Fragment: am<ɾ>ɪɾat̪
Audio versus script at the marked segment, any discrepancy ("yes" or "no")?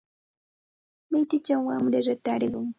no